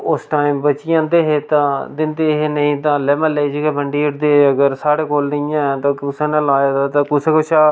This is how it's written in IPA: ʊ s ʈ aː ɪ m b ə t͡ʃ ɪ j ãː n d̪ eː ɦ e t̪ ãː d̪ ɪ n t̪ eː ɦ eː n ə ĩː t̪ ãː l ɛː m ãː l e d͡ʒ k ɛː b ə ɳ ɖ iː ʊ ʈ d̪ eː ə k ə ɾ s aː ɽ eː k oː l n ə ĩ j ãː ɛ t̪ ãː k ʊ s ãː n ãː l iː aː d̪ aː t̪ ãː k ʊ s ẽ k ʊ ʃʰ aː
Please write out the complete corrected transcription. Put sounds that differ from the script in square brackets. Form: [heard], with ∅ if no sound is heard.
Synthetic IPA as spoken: ʊ s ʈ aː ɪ m b ə t͡ʃ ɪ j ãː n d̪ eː ɦ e t̪ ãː d̪ ɪ n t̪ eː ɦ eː n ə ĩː t̪ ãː l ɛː m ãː l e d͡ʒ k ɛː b ə ɳ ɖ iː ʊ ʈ d̪ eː ə [ɡ] ə ɾ s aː ɽ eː k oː l n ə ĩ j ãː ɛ t̪ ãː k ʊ s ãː n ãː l [aː] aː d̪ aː t̪ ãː k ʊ s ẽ k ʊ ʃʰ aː